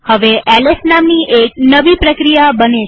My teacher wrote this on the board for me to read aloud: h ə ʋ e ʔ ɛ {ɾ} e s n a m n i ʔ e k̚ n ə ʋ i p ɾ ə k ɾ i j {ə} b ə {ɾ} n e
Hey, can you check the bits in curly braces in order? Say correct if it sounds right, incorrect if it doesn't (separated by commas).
incorrect, incorrect, incorrect